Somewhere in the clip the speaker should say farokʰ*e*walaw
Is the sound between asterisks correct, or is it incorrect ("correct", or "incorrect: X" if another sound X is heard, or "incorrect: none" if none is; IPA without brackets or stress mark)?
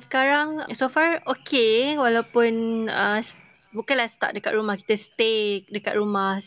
correct